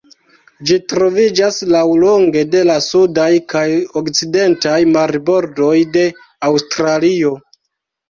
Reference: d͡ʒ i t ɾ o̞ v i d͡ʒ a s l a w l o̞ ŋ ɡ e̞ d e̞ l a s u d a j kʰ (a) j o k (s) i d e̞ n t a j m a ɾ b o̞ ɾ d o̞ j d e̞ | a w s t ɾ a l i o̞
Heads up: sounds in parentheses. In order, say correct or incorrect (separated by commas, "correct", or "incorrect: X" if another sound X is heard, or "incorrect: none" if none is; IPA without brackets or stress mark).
correct, incorrect: t͡s